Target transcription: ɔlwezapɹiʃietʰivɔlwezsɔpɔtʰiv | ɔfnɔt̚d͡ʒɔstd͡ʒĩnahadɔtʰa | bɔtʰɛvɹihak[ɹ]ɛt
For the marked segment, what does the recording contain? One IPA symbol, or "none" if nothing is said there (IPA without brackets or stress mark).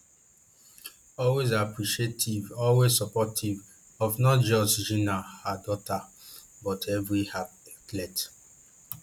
l